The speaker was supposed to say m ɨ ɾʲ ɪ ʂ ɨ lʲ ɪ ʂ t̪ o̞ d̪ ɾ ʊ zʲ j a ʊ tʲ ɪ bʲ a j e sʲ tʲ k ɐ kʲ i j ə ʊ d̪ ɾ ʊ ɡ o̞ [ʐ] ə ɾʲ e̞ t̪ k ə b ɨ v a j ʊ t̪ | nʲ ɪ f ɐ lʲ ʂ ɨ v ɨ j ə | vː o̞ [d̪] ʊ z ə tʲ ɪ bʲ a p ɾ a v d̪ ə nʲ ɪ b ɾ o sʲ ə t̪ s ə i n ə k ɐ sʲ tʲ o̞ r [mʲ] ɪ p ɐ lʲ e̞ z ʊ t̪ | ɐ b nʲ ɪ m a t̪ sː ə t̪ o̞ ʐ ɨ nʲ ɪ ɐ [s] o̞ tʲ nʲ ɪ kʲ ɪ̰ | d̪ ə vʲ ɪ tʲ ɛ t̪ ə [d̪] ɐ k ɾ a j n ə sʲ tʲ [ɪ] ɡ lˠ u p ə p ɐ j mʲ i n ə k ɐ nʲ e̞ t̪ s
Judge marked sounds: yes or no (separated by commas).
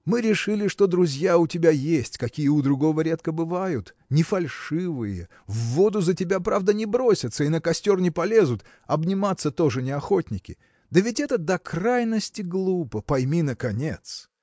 no, yes, no, no, yes, yes